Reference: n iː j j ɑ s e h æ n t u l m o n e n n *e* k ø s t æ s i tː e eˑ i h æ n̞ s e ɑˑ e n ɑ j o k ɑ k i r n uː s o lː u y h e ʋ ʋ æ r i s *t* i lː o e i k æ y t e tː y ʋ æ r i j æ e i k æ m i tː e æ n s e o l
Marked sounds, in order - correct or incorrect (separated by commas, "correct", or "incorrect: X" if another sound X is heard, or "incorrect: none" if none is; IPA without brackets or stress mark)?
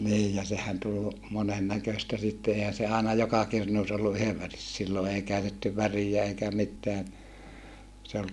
incorrect: æ, incorrect: s